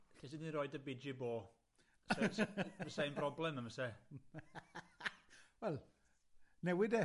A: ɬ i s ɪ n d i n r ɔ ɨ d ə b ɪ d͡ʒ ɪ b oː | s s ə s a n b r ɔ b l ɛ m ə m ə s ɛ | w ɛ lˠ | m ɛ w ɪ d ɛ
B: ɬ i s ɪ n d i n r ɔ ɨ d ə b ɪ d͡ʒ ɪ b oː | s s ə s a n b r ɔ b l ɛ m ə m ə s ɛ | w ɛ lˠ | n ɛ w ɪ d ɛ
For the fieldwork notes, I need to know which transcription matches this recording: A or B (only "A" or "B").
B